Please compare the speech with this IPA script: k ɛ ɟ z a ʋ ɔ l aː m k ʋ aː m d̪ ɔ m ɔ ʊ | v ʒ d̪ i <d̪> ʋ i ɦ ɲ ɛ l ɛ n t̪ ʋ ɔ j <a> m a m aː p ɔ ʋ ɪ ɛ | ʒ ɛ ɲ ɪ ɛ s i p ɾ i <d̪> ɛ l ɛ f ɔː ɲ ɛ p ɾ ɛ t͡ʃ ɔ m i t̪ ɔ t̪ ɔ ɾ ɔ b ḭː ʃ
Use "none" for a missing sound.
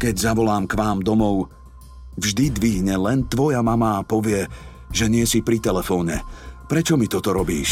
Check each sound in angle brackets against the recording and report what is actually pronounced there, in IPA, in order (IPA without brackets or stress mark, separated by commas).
d̪, a, t̪